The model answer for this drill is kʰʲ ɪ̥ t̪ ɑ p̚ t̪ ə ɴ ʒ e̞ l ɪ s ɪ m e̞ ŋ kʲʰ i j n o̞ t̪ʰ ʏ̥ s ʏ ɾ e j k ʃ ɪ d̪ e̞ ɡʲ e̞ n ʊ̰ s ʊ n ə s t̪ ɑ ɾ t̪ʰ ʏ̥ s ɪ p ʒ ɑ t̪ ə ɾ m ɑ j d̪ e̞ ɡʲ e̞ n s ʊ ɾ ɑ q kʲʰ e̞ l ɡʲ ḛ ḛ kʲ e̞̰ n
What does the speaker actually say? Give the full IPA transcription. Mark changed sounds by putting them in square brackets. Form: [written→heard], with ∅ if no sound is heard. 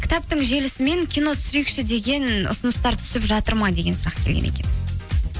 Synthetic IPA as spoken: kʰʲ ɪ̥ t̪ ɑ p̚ t̪ ə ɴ ʒ e̞ l ɪ s ɪ m e̞ ŋ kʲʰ i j n o̞ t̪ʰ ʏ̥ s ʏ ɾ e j k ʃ ɪ d̪ e̞ ɡʲ e̞ n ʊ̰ s ʊ n ə s t̪ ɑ ɾ t̪ʰ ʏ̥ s ɪ p ʒ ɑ t̪ ə ɾ m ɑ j d̪ e̞ ɡʲ e̞ n s ʊ ɾ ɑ q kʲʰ e̞ l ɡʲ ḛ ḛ kʲ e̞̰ n